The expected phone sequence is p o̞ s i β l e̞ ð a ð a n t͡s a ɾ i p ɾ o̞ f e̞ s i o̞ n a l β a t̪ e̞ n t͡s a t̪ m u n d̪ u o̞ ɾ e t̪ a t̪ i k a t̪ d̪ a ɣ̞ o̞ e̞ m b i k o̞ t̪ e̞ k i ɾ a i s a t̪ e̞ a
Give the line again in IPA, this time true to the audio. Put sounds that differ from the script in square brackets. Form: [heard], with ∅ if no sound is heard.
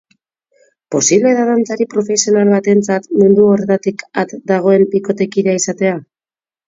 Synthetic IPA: p o̞ s i β l e̞ ð a ð a n t͡s a ɾ i p ɾ o̞ f e̞ s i o̞ n a l β a t̪ e̞ n t͡s a t̪ m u n d̪ u o̞ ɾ e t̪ a t̪ i k a t̪ d̪ a ɣ̞ o̞ e̞ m b i k o̞ t̪ e̞ k i ɾ a i s a t̪ e̞ a